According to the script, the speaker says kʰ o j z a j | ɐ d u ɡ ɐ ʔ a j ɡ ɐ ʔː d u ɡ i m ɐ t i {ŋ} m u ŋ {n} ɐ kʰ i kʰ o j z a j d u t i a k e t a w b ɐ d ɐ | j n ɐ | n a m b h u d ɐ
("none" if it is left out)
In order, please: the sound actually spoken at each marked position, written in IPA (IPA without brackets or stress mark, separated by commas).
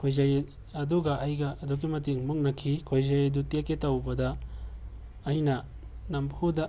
ŋ, n